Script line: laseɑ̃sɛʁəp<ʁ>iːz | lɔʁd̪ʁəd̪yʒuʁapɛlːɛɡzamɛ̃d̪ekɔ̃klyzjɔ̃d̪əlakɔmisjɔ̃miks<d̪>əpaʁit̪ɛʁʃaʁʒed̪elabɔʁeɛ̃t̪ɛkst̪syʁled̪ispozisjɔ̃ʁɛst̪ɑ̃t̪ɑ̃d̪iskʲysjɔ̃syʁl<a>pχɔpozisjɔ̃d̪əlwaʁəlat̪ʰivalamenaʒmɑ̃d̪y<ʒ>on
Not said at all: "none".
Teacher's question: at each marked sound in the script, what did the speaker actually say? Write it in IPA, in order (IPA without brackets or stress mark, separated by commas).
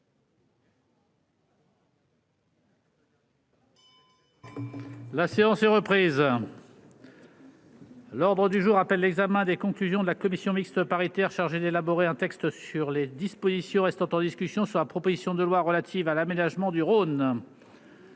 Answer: χ, t̪, a, ʁ